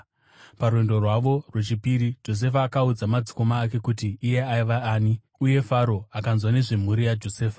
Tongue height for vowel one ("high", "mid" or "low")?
low